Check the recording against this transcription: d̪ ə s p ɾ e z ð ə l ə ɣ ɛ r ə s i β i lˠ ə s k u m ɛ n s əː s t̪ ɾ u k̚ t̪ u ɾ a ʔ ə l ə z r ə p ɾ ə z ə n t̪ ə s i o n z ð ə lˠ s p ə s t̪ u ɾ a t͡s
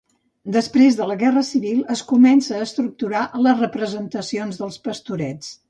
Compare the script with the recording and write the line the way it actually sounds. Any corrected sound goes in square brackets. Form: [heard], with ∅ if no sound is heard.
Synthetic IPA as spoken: d̪ ə s p ɾ e z ð ə l ə ɣ ɛ r ə s i β i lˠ ə s k u m ɛ n s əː s t̪ ɾ u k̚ t̪ u ɾ a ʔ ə l ə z r ə p ɾ ə z ə n t̪ ə s i o n z ð ə lˠ s p ə s t̪ u ɾ [ɛ] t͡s

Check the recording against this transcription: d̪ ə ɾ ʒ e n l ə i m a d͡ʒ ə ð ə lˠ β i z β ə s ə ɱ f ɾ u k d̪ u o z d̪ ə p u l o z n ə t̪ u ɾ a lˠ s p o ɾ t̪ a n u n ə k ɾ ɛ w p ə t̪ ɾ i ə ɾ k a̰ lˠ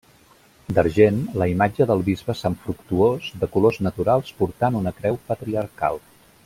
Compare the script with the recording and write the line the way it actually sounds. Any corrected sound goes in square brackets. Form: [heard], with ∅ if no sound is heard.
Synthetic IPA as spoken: d̪ ə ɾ ʒ e n l ə i m a d͡ʒ ə ð ə lˠ β i z β ə s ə ɱ f ɾ u k [t̪] u o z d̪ ə [k] u l o z n ə t̪ u ɾ a lˠ s p [u] ɾ t̪ a n u n ə k ɾ ɛ w p ə t̪ ɾ i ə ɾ k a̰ lˠ

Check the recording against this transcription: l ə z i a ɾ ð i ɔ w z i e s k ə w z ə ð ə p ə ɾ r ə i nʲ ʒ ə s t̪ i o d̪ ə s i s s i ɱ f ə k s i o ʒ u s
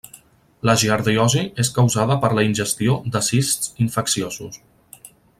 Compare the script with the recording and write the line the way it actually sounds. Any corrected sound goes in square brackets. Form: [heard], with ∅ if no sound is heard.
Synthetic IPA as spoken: l ə [ʒ] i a ɾ ð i ɔ [∅] z i e s k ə w z [a] ð ə p ə ɾ [l] ə i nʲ ʒ ə s t̪ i o d̪ ə s i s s i ɱ f ə k s i o [z] u s

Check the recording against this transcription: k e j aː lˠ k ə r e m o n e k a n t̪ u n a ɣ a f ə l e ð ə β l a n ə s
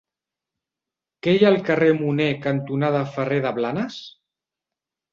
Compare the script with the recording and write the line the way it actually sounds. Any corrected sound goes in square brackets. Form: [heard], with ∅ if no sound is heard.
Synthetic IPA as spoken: k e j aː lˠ k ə r e m [u] n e k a n t̪ u n a [ð] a f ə [r] e ð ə β l a n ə s

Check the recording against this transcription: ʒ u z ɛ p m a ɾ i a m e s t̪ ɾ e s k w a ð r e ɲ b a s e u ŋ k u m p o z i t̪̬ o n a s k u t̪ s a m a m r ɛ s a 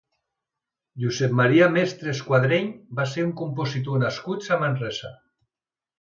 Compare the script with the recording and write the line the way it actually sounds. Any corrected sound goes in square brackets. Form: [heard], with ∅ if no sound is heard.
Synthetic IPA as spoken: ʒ u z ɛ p m a ɾ i a m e s t̪ ɾ e s k w a ð [ɾ] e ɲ b a s e u ŋ k u m p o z i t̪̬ o n a s k u t̪ s a m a [n] r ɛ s a

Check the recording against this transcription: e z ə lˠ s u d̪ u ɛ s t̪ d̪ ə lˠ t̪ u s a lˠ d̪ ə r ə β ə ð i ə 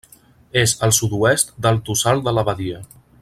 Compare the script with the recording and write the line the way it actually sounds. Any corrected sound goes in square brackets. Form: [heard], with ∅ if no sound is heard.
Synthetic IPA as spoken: e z ə lˠ s u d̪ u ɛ s t̪ d̪ ə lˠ t̪ u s a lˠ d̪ ə [l] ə β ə ð i ə

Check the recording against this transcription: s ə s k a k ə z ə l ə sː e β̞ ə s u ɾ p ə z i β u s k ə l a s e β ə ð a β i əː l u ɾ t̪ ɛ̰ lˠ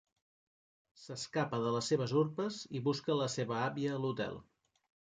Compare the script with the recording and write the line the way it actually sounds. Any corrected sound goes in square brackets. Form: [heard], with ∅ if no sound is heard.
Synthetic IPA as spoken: s ə s k a [p] ə [ð] ə l ə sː e β̞ ə [z] u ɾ p ə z i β u s k ə l [ə] s e β ə [∅] a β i əː l u [∅] t̪ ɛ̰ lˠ

